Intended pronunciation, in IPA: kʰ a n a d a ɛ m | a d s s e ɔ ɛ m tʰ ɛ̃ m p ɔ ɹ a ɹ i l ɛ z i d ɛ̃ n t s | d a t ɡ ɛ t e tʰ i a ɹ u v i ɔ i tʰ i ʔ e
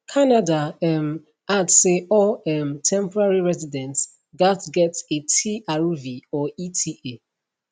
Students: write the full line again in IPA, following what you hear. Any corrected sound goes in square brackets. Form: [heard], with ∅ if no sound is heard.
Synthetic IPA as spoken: kʰ a n a d a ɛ m | a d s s e ɔ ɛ m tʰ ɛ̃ m p ɔ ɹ a ɹ i [ɹ] ɛ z i d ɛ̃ n t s | [ɡ] a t ɡ ɛ t e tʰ i a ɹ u v i ɔ i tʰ i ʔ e